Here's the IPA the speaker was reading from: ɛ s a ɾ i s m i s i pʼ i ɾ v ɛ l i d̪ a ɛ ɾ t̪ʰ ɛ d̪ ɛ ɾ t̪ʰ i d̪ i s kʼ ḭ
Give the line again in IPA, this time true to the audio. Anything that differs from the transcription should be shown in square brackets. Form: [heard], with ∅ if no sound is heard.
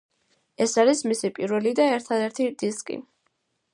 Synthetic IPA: ɛ s a ɾ i s m i s i pʼ i ɾ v ɛ l i d̪ a ɛ ɾ t̪ʰ [a] d̪ ɛ ɾ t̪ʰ i d̪ i s kʼ ḭ